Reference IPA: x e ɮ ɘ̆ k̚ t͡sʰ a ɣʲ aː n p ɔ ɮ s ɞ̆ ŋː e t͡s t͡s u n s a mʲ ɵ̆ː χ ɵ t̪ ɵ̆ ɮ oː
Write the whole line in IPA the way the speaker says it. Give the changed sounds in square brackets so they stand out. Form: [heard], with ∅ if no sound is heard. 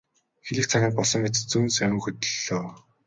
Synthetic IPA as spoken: x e ɮ ɘ̆ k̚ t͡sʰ a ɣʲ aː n p ɔ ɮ s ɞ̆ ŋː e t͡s t͡s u n s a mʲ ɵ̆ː [x] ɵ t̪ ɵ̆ ɮ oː